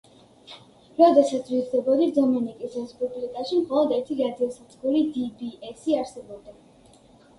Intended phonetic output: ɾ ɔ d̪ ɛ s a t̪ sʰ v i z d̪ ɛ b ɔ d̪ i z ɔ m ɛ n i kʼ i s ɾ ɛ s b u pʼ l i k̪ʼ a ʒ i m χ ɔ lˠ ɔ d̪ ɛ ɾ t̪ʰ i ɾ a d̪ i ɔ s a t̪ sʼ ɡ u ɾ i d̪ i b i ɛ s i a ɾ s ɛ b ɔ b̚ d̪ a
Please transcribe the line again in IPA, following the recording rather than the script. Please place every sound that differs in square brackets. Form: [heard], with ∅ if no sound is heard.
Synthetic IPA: ɾ ɔ d̪ ɛ s a t̪ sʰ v i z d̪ ɛ b ɔ d̪ i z ɔ m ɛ n i kʼ i s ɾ ɛ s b u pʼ l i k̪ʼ a [ʃ] i m χ ɔ lˠ ɔ d̪ ɛ ɾ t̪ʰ i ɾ a d̪ i ɔ s a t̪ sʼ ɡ u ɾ i d̪ i b i ɛ s i a ɾ s ɛ b ɔ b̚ d̪ a